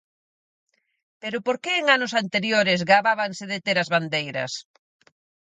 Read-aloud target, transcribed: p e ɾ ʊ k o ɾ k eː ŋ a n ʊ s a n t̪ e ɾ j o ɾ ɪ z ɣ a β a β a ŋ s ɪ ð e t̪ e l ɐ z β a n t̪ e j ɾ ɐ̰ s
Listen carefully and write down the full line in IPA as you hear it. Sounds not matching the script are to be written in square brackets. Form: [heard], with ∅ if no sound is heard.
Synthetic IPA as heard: p e ɾ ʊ [p] o ɾ k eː ŋ a n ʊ s a n t̪ e ɾ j o ɾ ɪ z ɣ a β a β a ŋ s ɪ ð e t̪ e [ɾ] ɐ z β a n [d̪] e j ɾ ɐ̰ s